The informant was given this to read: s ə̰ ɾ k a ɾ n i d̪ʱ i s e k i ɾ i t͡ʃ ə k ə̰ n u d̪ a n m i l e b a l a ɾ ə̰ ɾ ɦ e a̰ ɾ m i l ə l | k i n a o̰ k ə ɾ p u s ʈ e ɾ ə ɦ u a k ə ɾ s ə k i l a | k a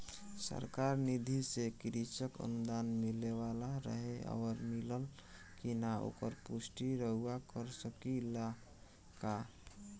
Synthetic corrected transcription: s ə̰ ɾ k a ɾ n i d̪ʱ i s e k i ɾ i t͡ʃ ə k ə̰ n u d̪ a n m i l e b a l a ɾ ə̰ ɦ e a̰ ɾ m i l ə l | k i n a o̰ k ə ɾ p u s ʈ i ɾ ə ɦ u a k ə ɾ s ə k i l a | k a

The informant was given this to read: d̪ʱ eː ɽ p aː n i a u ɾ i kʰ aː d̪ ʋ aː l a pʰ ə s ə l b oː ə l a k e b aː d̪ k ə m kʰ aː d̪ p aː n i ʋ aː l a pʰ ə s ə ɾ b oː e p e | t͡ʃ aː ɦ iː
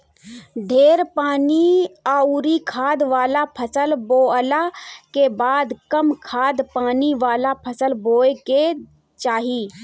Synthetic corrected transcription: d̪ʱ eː ɾ p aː n i a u ɾ i kʰ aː d̪ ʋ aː l a pʰ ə s ə l b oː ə l a k e b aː d̪ k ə m kʰ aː d̪ p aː n i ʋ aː l a pʰ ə s ə l b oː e k e | t͡ʃ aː ɦ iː

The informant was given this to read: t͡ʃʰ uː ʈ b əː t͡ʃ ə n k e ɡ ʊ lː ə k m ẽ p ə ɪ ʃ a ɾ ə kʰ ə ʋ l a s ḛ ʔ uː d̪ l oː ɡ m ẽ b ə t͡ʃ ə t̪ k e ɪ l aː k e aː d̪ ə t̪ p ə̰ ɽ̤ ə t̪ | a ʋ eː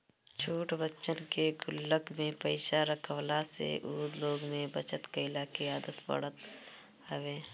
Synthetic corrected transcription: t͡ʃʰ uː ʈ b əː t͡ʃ ə n k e ɡ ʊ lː ə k m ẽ p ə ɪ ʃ a ɾ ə kʰ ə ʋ l a s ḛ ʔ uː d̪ l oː ɡ m ẽ b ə t͡ʃ ə t̪ k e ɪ l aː k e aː d̪ ə t̪ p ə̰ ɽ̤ ə t̪ | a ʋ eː

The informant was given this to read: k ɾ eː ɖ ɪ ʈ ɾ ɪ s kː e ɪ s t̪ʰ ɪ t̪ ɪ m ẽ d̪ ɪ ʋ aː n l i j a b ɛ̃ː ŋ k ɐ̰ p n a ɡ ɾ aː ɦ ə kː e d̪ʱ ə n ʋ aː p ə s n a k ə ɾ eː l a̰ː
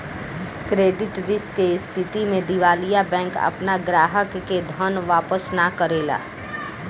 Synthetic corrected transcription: k ɾ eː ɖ ɪ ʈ ɾ ɪ s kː e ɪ s t̪ʰ ɪ t̪ i m ẽ d̪ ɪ ʋ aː l i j a b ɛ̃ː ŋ k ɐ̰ p n a ɡ ɾ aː ɦ ə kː e d̪ʱ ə n ʋ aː p ə s n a k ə ɾ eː l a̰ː

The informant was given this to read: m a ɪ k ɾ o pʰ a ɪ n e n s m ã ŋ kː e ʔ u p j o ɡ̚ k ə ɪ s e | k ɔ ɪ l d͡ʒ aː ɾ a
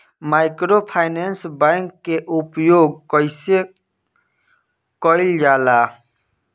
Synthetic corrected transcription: m a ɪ k ɾ o pʰ a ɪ n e n s b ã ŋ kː e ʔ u p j o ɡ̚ k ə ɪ s e | k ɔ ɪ l d͡ʒ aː l a

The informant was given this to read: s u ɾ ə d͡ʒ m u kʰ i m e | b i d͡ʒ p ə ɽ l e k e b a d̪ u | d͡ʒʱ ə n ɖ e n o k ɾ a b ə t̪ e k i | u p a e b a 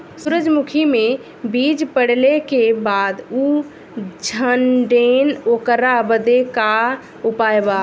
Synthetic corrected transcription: s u ɾ ə d͡ʒ m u kʰ i m e | b i d͡ʒ p ə ɽ l e k e b a d̪ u | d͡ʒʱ ə n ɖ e n o k ɾ a b ə d̪ e k a | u p a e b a

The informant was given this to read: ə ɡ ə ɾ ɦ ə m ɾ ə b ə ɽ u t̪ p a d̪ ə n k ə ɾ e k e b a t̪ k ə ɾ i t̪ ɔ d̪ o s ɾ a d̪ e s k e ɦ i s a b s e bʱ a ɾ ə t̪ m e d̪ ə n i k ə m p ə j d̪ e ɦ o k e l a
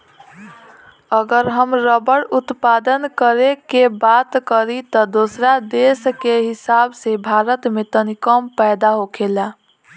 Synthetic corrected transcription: ə ɡ ə ɾ ɦ ə m ɾ ə b ə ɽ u t̪ p a d̪ ə n k ə ɾ e k e b a t̪ k ə ɾ i t̪ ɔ d̪ o s ɾ a d̪ e s k e ɦ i s a b s e bʱ a ɾ ə t̪ m e t̪ ə n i k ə m p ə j d̪ a ɦ o k e l a

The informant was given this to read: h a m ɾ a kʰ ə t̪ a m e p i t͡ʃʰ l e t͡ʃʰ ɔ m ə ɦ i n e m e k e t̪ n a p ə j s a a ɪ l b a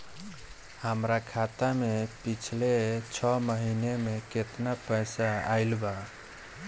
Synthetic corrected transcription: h ə m ɾ a kʰ a t̪ a m e p i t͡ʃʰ l e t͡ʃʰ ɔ m ə ɦ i n e m e k e t̪ n a p ə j s a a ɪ l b a

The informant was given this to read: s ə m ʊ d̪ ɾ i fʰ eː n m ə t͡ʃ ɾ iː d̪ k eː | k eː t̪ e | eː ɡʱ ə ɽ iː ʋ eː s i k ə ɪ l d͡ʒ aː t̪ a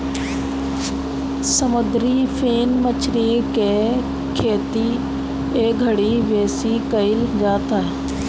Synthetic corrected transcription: s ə m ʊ d̪ ɾ i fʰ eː n m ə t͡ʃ ɾ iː k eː | kʰ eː t̪ i | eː ɡʱ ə ɽ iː ʋ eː s i k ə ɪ l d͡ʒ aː t̪ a

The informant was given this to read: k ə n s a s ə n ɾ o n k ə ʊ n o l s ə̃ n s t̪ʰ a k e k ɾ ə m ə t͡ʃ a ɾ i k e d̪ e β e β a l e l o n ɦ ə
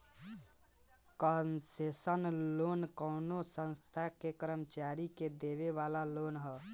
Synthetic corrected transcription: k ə n s e s ə n l o n k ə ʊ n o s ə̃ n s t̪ʰ a k e k ɾ ə m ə t͡ʃ a ɾ i k e d̪ e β e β a l a l o n ɦ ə

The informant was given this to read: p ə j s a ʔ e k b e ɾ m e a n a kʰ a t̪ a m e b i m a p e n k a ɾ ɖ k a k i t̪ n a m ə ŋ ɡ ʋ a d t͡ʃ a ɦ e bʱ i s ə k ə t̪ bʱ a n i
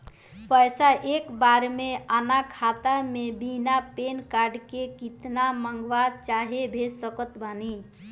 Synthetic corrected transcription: p ə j s a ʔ e k b a ɾ m e a n a kʰ a t̪ a m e b i n a p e n k a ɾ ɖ k e k i t̪ n a m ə ŋ ɡ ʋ a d t͡ʃ a ɦ e bʱ e s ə k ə t̪ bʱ a n i

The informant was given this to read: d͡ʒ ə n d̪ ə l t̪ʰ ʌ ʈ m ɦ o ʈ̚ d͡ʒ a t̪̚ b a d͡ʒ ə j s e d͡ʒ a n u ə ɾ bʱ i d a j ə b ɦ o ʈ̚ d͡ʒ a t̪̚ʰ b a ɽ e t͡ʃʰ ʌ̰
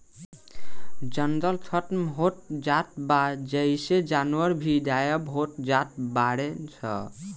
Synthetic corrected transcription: d͡ʒ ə n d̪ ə l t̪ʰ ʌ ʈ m ɦ o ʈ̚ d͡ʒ a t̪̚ b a d͡ʒ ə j s e d͡ʒ a n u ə ɾ bʱ i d a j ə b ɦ o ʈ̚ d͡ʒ a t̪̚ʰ b a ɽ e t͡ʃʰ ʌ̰

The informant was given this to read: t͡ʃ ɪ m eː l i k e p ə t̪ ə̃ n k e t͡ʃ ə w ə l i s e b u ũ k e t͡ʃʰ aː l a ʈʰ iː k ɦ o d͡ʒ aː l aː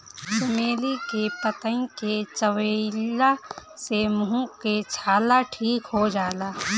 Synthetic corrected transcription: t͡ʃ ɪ m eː l i k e p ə t̪ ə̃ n k e t͡ʃ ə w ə l a s e m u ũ k e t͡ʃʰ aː l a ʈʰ iː k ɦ o d͡ʒ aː l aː

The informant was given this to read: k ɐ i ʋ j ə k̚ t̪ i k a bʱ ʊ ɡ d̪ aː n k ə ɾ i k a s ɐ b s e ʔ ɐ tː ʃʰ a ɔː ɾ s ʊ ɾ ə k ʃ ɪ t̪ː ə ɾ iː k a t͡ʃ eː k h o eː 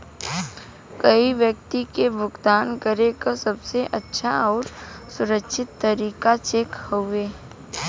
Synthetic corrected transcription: k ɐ i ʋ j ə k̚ t̪ i k e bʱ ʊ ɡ d̪ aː n k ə ɾ e k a s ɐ b s e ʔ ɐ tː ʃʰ a ɔː ɾ s ʊ ɾ ə k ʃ ɪ t̪ː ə ɾ iː k a t͡ʃ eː k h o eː

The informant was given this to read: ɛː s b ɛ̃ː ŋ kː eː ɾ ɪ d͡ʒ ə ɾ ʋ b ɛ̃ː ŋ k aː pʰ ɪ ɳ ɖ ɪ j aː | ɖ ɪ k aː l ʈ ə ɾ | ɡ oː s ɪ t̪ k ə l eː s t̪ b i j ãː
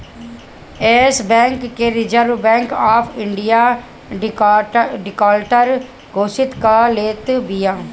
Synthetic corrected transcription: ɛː s b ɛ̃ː ŋ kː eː ɾ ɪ d͡ʒ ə ɾ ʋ b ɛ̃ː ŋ k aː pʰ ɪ ɳ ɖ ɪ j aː | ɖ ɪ k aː l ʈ ə ɾ | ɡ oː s ɪ t̪ k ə l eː t̪ b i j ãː

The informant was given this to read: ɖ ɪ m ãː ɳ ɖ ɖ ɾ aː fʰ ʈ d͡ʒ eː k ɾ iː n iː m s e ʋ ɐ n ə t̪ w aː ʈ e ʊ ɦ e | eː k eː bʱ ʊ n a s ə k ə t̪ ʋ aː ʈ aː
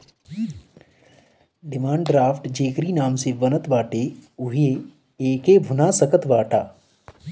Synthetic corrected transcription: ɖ ɪ m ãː ɳ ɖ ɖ ɾ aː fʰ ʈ d͡ʒ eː k ɾ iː n aː m s e ʋ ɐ n ə t̪ ʋ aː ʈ e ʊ ɦ e | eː k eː bʱ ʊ n a s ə k ə t̪ ʋ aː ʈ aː

